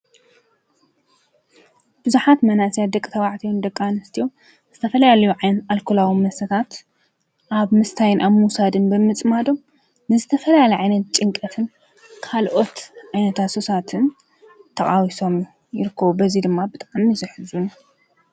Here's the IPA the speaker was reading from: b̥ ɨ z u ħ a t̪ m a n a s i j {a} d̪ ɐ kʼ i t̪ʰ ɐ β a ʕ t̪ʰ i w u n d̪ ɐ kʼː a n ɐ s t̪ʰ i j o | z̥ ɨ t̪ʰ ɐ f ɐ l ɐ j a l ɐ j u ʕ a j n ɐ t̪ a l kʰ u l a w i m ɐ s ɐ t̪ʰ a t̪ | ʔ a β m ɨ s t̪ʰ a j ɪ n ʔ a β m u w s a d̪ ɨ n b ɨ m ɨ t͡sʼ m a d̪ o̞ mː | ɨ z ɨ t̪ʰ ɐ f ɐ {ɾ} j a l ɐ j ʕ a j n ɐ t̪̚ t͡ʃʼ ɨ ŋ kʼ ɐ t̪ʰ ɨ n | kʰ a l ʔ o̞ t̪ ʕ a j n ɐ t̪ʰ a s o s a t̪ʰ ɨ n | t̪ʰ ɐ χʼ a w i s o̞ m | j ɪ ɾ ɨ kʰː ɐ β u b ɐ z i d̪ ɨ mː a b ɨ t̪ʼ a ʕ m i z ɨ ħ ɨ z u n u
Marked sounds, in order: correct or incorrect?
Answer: correct, incorrect

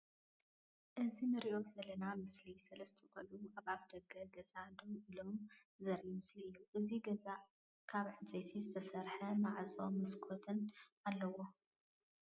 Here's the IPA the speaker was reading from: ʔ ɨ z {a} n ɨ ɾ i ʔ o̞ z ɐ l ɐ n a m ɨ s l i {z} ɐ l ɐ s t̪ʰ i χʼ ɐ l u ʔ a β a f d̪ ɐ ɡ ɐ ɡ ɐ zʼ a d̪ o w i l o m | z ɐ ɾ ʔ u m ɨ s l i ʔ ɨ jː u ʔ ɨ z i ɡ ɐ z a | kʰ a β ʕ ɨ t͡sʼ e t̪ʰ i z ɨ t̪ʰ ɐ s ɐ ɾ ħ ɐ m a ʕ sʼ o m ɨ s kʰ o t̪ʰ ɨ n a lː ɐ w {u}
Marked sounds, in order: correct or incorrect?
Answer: incorrect, incorrect, incorrect

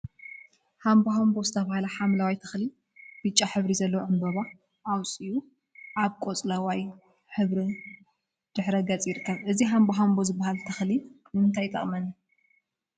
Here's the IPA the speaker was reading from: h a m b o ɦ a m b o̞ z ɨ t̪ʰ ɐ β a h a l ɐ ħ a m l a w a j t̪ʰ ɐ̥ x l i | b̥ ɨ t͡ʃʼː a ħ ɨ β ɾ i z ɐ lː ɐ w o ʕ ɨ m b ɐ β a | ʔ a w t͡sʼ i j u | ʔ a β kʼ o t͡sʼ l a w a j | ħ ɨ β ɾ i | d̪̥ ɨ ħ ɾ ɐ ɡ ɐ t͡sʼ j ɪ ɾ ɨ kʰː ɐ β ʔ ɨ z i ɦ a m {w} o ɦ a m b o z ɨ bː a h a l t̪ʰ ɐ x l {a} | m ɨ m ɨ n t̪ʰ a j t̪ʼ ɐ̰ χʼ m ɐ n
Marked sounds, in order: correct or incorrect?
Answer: incorrect, incorrect

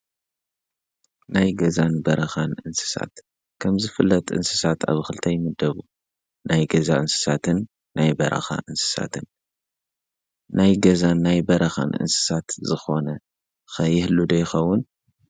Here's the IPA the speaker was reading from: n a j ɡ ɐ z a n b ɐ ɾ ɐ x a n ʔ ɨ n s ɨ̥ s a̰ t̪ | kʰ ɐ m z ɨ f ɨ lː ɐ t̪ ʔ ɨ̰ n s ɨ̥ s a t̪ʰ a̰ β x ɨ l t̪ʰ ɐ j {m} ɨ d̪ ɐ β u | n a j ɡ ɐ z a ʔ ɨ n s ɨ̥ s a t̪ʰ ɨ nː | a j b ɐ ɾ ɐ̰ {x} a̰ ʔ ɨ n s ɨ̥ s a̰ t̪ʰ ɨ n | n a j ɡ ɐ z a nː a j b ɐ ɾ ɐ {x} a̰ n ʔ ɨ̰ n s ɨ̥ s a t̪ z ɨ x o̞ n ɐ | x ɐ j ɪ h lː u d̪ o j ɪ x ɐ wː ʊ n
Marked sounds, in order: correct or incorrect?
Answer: correct, correct, correct

